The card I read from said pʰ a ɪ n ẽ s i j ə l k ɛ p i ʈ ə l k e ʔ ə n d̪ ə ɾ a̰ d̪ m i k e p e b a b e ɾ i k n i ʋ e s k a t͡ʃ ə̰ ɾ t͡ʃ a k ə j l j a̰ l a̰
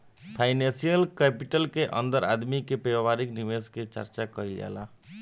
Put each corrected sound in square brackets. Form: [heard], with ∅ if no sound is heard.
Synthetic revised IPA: pʰ a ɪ n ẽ s i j ə l k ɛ p i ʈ ə l k e ʔ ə n d̪ ə ɾ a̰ d̪ m i k e p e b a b [a] ɾ i k n i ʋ e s k [e] t͡ʃ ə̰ ɾ t͡ʃ a k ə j l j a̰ l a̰